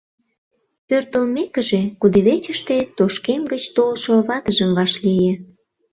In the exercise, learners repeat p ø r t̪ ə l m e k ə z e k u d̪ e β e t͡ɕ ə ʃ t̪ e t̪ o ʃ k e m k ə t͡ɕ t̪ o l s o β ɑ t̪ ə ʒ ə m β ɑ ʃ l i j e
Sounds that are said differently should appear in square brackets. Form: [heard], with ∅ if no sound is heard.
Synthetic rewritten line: p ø r t̪ ə l m e k ə [ʒ] e k u d̪ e β e t͡ɕ ə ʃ t̪ e t̪ o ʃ k e m [ɡ] ə t͡ɕ t̪ o l [ʃ] o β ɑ t̪ ə ʒ ə m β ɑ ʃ l i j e